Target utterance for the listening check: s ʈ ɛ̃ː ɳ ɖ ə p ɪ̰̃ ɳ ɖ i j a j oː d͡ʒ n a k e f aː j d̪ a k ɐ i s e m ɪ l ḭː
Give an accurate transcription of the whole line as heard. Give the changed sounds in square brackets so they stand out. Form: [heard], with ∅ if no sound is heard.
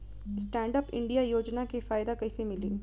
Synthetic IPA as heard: s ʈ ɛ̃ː ɳ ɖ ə p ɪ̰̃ ɳ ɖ i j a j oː d͡ʒ n a k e f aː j d̪ a k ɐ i s e m ɪ l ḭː